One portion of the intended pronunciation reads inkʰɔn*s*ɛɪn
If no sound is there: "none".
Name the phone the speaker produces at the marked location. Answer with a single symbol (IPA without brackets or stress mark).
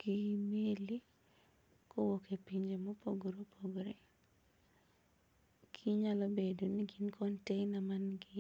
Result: t